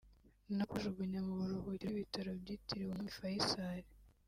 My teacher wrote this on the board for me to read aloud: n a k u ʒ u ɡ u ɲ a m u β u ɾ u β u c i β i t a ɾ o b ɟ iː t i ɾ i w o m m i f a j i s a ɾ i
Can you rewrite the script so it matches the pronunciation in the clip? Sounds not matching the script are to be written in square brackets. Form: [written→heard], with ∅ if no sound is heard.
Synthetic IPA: n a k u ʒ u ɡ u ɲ a m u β u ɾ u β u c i β i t a ɾ o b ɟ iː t i ɾ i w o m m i f a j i s a ɾ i

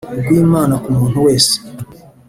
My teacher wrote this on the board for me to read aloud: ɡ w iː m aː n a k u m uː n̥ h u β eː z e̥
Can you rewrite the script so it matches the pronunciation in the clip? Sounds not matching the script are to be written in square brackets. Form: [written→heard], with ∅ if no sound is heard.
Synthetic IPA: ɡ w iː m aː n a k u m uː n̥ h u [β→w] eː [z→s] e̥

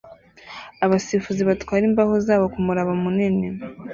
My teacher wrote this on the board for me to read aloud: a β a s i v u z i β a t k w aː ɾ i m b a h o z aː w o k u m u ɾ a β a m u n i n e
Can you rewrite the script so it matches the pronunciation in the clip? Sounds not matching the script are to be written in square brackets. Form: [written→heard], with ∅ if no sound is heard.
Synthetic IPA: a β a s i [v→f] u z i β a t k w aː ɾ i m b a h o z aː [w→β] o k u m u ɾ a β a m u n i n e

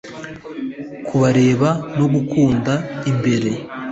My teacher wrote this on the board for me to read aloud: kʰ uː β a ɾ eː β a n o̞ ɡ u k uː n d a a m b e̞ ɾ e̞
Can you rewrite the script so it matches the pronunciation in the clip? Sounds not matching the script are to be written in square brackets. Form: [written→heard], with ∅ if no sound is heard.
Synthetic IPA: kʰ [uː→u] β a ɾ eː β a n o̞ ɡ u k uː n d a [a→i] m b e̞ ɾ e̞

